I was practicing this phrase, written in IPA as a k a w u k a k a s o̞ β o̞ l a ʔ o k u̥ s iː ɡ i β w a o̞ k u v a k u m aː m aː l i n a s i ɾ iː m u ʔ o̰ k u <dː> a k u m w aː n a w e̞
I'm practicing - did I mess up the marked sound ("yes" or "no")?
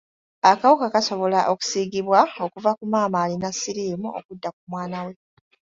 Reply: no